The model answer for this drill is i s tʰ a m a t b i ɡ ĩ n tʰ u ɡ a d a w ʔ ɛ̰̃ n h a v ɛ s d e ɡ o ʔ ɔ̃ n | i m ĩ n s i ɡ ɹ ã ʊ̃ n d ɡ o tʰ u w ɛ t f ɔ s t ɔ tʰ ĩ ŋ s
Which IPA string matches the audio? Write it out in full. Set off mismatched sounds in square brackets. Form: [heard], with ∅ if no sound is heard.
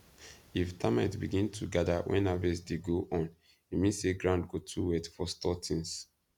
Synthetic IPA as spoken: i [f] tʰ a m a t b i ɡ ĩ n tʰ u ɡ a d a w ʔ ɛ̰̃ n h a v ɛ s d e ɡ o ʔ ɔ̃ n | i m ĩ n s [e] ɡ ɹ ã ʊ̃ n d ɡ o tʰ u w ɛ t f ɔ s t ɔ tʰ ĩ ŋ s